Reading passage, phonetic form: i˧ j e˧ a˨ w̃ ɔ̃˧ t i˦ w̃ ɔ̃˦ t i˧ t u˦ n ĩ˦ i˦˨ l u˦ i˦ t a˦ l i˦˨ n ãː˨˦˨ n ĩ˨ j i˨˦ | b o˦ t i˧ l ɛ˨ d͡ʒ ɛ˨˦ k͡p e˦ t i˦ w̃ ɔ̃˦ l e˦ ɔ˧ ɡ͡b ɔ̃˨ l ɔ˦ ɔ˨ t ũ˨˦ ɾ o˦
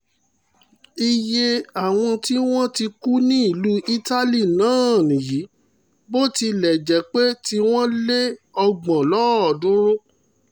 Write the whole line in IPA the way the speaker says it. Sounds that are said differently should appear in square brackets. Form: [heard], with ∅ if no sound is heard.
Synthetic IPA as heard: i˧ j e˧ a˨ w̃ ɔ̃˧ t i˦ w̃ ɔ̃˦ t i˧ [k] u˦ n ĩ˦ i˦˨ l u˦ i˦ t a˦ l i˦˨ n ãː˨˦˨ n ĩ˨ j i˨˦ | b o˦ t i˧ l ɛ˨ d͡ʒ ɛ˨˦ k͡p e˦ t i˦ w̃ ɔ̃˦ l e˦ ɔ˧ ɡ͡b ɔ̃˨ l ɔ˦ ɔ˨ [d] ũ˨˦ ɾ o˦